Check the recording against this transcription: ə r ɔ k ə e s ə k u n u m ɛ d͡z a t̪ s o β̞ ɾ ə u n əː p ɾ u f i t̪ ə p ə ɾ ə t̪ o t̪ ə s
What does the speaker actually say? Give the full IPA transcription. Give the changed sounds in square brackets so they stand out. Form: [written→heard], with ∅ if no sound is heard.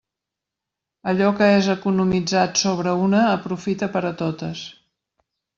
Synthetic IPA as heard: ə [r→ʎ] ɔ k ə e [s→z] ə k u n u m [ɛ→i] d͡z a t̪ s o β̞ ɾ ə u n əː p ɾ u f i t̪ ə p ə ɾ ə t̪ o t̪ ə s